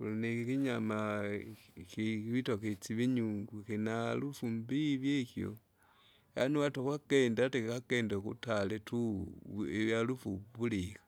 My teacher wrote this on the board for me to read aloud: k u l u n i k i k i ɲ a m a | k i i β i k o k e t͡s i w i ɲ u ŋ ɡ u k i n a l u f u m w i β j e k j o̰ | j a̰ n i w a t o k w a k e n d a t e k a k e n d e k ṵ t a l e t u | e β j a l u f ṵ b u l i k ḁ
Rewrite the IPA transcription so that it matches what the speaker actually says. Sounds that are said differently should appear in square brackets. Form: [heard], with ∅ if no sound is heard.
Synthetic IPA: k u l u n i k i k i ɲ a m a | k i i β i [t] o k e t͡s i [β] i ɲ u ŋ ɡ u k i n a l u f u m [b] i β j e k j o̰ | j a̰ n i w a t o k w a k e n d a t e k a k e n d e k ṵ t a l e t u | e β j a l u f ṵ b u l i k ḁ